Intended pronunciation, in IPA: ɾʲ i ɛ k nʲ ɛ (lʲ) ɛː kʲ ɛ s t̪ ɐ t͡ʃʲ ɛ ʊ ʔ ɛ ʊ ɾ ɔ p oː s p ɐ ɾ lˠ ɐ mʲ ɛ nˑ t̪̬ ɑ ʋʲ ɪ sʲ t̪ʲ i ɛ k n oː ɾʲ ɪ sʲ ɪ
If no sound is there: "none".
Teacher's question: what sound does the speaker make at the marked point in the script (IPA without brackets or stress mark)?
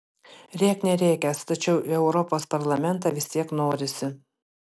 ɾʲ